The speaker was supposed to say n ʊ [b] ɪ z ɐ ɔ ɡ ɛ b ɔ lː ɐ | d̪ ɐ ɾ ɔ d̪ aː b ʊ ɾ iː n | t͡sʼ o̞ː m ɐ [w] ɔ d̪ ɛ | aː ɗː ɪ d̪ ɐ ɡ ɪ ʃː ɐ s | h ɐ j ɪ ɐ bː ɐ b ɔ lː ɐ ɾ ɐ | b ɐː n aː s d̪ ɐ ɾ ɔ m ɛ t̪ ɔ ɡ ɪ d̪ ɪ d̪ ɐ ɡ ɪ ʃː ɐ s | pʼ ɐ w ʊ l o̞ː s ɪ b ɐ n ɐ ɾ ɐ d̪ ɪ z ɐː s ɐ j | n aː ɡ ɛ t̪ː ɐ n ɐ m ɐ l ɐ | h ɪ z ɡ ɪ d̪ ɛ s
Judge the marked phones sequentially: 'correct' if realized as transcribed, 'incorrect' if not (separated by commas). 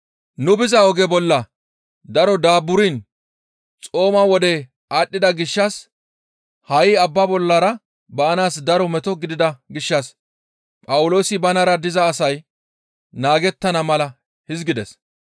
correct, correct